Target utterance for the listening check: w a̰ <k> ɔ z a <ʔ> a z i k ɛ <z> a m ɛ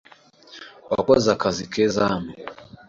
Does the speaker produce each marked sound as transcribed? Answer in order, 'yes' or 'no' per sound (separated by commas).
yes, no, yes